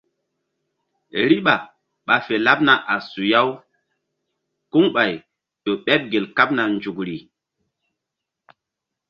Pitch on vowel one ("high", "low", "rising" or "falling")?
high